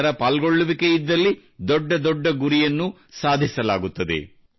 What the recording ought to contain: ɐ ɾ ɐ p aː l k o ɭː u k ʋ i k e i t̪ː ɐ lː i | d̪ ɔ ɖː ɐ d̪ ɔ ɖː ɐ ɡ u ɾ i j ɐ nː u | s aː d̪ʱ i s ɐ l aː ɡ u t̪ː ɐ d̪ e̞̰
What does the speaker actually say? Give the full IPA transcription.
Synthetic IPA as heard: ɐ ɾ ɐ p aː l ɡ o ɭː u ʋ i k e i d̪ː ɐ lː i | d̪ ɔ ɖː ɐ d̪ ɔ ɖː ɐ ɡ u ɾ i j ɐ nː u | s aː d̪ʱ i s ɐ l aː ɡ u t̪ː ɐ d̪ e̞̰